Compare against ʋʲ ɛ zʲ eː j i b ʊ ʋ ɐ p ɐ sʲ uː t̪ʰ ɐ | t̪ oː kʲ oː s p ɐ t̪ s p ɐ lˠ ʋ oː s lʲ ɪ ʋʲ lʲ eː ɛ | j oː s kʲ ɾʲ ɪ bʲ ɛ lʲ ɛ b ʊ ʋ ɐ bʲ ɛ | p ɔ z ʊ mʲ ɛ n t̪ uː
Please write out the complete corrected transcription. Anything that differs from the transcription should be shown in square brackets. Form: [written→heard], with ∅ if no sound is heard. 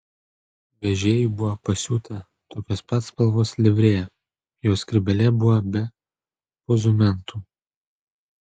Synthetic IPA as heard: ʋʲ ɛ [zʲ→ʒʲ] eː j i b ʊ ʋ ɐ p ɐ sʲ uː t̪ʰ ɐ | t̪ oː kʲ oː s p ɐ t̪ s p ɐ lˠ ʋ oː s lʲ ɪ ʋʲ [lʲ→ɾʲ] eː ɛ | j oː s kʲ ɾʲ ɪ bʲ ɛ lʲ ɛ b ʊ ʋ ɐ bʲ ɛ | p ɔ z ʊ mʲ ɛ n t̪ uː